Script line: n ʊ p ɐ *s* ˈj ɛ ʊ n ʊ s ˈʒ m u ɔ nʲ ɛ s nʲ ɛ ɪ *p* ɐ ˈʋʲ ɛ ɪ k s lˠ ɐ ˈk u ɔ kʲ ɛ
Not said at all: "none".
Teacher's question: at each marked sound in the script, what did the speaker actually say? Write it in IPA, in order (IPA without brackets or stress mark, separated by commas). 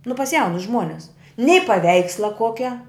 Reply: s, p